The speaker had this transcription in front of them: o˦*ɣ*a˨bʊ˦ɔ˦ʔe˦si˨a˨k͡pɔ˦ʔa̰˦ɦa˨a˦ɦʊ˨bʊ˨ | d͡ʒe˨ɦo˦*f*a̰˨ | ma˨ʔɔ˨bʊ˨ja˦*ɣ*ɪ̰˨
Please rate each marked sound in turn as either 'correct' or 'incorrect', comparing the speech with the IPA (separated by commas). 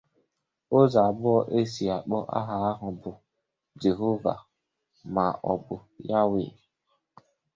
incorrect, incorrect, incorrect